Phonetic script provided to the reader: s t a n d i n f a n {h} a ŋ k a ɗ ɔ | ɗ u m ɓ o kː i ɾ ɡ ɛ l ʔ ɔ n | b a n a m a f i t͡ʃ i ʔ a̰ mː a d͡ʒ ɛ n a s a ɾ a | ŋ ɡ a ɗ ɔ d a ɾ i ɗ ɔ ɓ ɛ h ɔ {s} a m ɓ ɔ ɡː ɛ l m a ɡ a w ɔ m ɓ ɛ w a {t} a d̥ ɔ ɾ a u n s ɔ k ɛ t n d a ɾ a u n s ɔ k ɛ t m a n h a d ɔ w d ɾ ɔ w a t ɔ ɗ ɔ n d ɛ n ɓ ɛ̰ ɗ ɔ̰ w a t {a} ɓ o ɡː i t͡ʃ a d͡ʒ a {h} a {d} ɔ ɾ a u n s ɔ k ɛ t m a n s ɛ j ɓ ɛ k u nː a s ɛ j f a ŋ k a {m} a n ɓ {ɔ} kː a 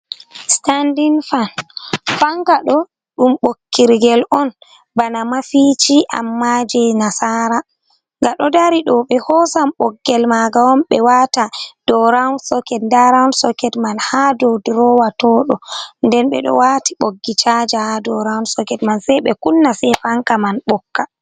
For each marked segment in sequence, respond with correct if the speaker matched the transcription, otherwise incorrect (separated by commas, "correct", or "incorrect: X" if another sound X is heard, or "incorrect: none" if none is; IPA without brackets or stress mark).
incorrect: f, correct, correct, incorrect: i, correct, correct, correct, correct